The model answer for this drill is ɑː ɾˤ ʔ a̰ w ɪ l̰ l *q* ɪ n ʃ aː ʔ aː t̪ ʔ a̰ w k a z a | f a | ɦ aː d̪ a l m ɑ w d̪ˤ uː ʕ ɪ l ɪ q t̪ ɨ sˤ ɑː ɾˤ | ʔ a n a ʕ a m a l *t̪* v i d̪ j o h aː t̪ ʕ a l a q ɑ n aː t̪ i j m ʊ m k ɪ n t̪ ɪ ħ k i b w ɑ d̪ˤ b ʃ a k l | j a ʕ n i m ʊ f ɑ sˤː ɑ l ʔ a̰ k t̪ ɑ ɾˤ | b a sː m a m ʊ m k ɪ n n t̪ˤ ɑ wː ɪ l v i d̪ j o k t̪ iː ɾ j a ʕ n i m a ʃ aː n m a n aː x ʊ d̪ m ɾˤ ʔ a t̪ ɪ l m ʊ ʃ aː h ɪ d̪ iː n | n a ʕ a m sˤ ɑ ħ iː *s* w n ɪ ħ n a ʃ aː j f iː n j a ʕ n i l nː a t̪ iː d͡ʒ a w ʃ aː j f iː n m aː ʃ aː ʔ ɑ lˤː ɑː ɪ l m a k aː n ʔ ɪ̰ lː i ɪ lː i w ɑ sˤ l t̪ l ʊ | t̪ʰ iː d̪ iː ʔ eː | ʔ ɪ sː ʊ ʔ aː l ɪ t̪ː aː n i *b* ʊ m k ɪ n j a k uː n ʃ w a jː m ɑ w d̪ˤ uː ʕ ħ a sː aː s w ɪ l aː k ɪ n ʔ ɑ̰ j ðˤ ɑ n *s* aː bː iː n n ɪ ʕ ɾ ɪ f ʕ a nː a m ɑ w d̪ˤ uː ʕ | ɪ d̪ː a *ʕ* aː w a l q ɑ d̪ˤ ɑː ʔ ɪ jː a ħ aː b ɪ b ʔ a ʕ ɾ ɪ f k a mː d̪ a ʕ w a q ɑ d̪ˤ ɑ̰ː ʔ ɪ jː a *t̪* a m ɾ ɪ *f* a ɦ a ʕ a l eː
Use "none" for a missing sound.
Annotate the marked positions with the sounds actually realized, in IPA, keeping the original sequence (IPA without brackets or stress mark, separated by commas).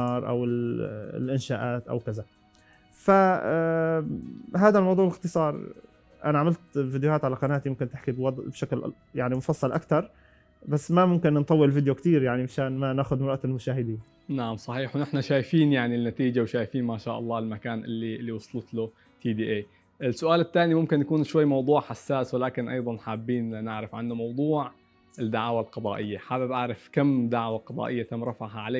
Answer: ʔ, t̪, ħ, m, ħ, ʕ, t̪, f